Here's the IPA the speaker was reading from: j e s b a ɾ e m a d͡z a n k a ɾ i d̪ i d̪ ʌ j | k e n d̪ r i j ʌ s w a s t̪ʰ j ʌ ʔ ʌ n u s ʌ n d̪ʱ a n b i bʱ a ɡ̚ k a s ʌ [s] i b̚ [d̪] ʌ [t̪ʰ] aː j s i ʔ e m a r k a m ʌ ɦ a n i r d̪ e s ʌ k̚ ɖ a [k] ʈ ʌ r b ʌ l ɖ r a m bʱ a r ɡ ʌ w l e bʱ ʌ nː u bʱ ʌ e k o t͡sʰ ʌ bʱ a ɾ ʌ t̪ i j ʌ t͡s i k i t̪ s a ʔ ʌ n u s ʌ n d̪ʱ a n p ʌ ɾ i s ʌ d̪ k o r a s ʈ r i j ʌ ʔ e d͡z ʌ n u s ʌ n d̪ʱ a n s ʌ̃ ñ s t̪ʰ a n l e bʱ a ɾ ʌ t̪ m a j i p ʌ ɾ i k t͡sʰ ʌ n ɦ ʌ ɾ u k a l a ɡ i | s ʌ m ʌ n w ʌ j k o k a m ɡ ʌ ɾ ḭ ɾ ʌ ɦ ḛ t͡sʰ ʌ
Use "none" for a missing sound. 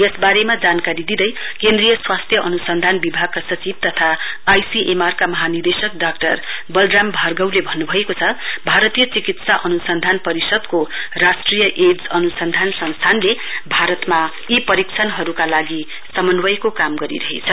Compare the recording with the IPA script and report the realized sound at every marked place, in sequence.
t͡s, t̪, t̪ʰ, k

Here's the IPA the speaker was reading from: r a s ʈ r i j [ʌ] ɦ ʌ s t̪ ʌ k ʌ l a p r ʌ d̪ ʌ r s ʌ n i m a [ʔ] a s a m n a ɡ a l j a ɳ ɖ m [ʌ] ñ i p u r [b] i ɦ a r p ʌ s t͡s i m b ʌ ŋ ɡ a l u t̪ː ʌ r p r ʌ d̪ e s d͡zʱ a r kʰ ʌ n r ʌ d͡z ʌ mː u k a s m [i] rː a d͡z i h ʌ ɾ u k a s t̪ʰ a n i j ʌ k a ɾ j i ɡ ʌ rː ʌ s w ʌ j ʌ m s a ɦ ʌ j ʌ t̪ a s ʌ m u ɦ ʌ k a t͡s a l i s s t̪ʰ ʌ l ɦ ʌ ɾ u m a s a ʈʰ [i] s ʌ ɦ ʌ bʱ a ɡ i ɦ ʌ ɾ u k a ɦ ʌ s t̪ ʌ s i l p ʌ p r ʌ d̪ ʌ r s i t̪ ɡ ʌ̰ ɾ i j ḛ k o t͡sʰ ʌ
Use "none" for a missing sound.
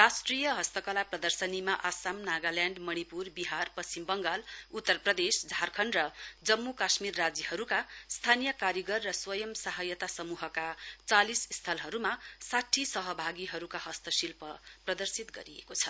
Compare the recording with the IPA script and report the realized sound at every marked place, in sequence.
ʌ, ʔ, ʌ, b, i, i

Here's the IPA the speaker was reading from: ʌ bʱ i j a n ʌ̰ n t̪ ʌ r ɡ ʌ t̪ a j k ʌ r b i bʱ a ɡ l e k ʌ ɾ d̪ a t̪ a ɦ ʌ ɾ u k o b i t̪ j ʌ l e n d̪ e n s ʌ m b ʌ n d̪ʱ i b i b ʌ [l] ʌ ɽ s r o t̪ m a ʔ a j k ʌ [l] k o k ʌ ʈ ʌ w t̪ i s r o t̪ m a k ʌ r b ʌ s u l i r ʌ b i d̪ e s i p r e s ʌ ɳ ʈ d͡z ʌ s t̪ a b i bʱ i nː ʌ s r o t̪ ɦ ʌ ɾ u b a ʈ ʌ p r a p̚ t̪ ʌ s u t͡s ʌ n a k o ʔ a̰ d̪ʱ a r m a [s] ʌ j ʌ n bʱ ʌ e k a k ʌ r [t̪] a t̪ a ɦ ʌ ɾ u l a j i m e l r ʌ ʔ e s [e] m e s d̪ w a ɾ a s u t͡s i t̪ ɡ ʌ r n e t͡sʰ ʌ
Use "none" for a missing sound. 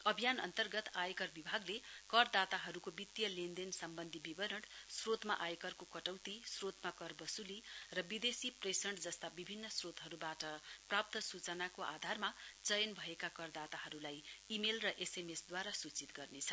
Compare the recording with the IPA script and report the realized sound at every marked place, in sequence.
ɾ, r, t͡s, d̪, e

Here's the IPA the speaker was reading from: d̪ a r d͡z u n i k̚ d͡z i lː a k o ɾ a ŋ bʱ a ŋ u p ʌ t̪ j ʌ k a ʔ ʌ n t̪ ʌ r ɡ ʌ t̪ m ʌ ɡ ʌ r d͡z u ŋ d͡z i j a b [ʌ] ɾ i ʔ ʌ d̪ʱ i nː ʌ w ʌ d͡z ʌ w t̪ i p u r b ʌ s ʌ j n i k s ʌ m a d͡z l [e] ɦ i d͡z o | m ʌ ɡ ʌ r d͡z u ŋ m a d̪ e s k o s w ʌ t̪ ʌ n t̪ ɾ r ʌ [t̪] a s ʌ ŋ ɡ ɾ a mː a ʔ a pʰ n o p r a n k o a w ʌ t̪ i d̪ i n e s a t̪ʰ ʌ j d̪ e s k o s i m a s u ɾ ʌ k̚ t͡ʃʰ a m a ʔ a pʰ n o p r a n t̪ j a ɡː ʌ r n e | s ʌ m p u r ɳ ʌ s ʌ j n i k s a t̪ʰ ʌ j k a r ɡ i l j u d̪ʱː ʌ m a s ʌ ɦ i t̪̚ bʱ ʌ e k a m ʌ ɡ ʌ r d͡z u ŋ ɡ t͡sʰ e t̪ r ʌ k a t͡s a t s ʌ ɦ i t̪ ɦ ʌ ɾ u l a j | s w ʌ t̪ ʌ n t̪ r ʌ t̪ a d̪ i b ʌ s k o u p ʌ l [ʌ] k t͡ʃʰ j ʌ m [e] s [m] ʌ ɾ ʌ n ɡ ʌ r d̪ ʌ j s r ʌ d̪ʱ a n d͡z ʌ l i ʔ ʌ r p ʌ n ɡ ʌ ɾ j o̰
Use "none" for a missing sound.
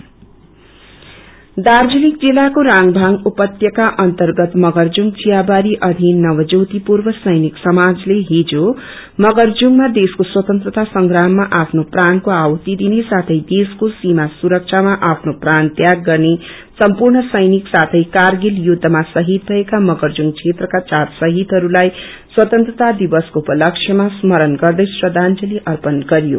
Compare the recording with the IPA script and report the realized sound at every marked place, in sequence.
a, e, t̪, ʌ, a, m

